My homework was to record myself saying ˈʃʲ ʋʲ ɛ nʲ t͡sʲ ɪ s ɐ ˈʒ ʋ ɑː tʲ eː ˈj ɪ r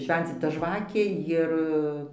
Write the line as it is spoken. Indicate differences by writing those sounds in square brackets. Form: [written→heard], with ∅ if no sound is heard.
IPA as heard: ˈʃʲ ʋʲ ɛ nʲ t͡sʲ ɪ [s→t] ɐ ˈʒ ʋ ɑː [tʲ→kʲ] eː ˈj ɪ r